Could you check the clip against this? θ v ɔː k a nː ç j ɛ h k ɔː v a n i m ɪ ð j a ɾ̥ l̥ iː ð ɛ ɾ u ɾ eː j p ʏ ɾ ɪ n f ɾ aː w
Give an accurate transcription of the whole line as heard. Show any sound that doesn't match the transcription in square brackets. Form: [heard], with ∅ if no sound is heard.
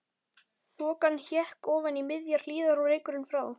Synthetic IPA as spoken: θ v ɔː k a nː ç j ɛ h k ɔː v a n i m ɪ ð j a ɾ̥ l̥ iː ð [a] ɾ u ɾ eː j [k] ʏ ɾ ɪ n f ɾ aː w